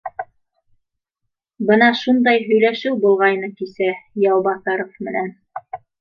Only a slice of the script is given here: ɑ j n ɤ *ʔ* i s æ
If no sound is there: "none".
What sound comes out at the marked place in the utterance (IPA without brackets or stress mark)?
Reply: k